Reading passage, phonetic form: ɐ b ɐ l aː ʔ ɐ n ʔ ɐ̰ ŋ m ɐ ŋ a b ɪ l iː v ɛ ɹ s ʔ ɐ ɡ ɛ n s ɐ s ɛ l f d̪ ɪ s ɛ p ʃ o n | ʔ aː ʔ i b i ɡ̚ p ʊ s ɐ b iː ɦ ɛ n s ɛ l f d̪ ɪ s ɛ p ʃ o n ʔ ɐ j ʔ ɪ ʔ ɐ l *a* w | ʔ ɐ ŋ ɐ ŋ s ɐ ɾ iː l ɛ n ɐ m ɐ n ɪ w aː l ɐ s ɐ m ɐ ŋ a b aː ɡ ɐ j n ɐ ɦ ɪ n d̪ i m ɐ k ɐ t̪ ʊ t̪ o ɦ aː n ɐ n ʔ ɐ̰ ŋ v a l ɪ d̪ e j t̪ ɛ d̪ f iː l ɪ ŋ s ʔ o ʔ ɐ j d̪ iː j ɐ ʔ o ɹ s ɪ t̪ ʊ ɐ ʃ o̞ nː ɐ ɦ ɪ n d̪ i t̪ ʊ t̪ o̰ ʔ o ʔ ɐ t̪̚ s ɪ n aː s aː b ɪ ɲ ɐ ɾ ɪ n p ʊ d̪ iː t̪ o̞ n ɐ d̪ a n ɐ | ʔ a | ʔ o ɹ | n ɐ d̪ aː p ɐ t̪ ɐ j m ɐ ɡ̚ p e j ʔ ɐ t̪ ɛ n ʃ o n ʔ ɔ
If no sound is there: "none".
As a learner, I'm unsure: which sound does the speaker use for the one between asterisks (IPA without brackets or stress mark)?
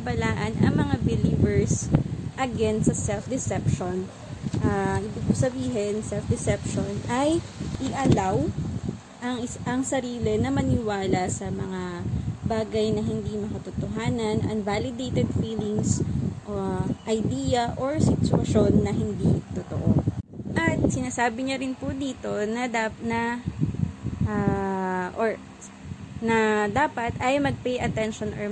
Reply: a